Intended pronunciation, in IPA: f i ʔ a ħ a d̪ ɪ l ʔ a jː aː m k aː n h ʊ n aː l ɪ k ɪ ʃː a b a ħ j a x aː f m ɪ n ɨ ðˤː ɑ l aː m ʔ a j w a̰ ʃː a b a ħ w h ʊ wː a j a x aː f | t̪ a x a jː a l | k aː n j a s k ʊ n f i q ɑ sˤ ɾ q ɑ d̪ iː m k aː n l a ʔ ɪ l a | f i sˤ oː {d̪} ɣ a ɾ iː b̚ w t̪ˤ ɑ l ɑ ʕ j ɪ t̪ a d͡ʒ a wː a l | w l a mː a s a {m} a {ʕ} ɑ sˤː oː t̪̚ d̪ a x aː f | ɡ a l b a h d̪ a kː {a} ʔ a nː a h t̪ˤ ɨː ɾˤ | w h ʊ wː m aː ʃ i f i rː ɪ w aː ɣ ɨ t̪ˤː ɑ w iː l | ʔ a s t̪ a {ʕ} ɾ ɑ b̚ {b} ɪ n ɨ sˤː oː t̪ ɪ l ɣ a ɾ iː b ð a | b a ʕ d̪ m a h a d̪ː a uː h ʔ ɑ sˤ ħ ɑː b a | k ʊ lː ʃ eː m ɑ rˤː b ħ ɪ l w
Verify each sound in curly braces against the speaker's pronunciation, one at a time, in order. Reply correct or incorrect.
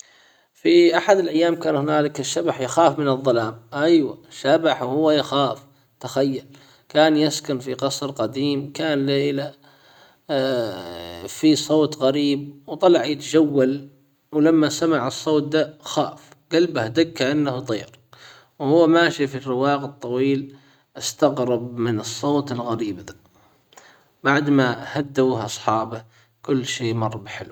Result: incorrect: t̪, correct, correct, correct, incorrect: ɣ, incorrect: m

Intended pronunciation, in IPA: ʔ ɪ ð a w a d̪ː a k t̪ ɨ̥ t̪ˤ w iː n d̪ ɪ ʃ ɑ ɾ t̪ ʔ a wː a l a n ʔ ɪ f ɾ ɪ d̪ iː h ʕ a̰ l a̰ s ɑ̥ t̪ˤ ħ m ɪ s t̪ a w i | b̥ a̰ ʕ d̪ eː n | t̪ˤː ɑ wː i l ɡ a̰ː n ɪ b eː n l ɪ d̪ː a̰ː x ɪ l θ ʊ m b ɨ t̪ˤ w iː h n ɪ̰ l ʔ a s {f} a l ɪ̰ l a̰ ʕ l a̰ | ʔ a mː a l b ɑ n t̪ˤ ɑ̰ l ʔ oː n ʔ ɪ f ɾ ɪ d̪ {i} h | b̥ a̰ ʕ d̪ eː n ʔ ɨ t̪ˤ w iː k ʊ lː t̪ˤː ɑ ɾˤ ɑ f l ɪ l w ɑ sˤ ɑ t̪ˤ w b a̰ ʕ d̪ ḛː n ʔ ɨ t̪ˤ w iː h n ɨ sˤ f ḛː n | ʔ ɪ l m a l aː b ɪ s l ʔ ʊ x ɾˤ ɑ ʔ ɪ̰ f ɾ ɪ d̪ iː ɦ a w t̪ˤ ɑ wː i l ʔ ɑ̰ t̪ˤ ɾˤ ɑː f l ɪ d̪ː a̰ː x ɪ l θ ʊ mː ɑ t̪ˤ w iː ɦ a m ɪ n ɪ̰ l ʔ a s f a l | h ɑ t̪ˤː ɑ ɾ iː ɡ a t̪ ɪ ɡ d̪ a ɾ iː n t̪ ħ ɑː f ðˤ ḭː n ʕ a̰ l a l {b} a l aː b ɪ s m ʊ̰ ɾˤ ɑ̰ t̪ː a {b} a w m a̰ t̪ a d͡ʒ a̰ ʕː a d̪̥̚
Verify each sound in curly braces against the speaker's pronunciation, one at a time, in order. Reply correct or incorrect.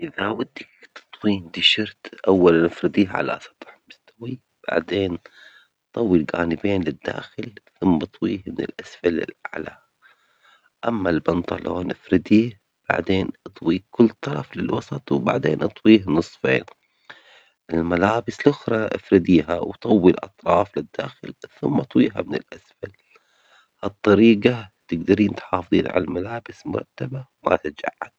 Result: correct, incorrect: iː, incorrect: m, correct

